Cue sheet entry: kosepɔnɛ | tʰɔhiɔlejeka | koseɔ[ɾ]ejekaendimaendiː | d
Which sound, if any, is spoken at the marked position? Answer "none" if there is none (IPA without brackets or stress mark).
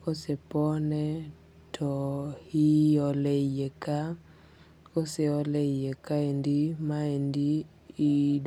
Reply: l